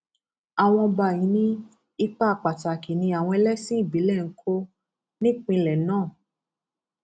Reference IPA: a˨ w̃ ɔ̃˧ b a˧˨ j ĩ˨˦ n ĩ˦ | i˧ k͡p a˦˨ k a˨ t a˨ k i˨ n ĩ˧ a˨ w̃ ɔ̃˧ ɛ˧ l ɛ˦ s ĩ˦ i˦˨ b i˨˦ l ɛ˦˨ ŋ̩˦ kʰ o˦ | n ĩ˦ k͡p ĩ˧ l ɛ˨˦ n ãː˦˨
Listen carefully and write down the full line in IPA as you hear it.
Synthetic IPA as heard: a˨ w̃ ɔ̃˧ b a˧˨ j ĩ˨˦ n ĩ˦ | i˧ k͡p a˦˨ k͡p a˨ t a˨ k i˨ n ĩ˧ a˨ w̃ ɔ̃˧ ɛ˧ l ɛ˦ s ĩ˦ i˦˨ b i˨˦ l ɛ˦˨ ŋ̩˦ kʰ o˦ | n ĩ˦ k͡p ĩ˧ l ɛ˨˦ n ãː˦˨

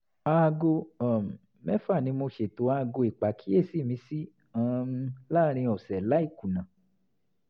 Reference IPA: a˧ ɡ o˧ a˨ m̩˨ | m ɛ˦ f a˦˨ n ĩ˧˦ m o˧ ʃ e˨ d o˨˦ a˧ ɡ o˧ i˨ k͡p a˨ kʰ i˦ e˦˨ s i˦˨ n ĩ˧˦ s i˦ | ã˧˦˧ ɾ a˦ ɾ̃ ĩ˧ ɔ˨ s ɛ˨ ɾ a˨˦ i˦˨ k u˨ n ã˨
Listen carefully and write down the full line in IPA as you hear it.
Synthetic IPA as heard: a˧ ɡ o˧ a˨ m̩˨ | m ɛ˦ f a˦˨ n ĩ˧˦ m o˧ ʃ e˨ t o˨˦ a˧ ɡ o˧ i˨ k͡p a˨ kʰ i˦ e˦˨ s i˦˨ m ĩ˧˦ s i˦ | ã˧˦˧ l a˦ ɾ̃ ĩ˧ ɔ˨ s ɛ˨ l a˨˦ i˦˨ k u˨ n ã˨

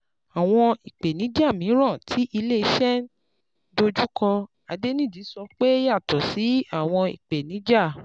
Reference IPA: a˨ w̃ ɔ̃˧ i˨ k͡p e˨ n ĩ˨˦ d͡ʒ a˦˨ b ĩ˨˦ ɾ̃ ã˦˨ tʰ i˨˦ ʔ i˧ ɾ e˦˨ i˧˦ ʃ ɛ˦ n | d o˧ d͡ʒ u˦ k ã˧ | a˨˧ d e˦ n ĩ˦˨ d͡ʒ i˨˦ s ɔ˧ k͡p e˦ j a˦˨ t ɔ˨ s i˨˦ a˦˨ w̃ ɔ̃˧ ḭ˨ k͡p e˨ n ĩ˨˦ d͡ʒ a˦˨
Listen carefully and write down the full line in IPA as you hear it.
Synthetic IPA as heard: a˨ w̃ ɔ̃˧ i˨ k͡p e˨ n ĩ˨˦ d͡ʒ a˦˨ m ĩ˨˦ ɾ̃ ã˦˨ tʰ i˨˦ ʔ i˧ l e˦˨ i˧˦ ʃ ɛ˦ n | d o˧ d͡ʒ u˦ k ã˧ | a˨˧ d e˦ n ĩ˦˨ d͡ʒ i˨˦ s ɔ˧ k͡p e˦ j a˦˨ t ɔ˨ s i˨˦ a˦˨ w̃ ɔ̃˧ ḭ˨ k͡p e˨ n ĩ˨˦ d͡ʒ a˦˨

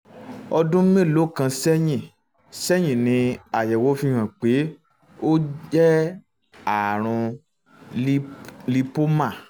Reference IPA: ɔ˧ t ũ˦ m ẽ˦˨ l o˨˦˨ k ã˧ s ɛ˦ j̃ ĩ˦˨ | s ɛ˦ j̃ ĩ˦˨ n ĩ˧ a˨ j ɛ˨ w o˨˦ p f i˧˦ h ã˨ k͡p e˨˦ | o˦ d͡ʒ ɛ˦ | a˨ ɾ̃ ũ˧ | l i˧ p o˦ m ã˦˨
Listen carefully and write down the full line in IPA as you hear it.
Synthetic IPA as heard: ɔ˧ d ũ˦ m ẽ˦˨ l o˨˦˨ k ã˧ s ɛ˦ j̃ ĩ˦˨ | s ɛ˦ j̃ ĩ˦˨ n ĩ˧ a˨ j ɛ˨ w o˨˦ f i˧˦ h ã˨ k͡p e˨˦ | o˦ d͡ʒ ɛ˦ | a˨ ɾ̃ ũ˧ | l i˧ p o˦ m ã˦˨

